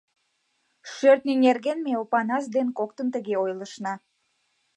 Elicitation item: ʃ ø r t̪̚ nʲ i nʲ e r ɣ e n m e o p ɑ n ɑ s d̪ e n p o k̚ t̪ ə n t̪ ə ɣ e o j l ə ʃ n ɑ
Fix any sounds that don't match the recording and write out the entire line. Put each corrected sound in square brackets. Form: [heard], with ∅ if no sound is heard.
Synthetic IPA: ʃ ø r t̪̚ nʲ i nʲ e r ɣ e n m e o p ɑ n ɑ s d̪ e n [k] o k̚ t̪ ə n t̪ ə ɣ e o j l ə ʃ n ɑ